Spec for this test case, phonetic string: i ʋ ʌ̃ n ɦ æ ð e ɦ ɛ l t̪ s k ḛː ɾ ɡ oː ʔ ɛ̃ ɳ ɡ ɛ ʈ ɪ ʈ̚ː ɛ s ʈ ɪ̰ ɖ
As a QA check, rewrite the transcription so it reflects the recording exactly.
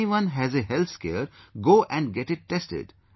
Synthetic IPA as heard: i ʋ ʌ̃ n ɦ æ z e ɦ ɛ l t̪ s k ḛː ɾ ɡ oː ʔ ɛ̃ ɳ ɡ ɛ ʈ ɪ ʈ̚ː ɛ s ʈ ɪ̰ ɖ